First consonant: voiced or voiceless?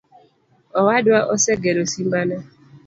voiced